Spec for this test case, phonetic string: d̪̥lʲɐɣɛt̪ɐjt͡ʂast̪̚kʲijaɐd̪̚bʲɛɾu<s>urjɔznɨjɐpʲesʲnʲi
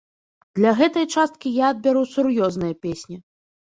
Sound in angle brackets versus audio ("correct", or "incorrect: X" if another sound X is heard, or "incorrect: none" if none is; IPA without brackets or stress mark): correct